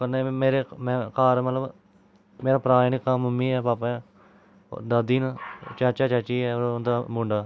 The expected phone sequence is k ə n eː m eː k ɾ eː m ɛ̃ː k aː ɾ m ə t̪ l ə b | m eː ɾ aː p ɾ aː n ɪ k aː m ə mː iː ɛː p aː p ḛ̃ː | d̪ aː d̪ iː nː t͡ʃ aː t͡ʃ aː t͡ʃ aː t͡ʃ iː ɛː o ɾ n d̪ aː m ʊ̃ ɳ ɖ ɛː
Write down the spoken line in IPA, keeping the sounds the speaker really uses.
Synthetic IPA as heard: k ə n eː m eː ɾ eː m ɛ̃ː k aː ɾ m ə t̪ l ə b | m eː ɾ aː p ɾ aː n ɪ k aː m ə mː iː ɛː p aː p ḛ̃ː | d̪ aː d̪ iː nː t͡ʃ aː t͡ʃ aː t͡ʃ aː t͡ʃ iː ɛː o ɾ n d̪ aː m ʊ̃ ɳ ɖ aː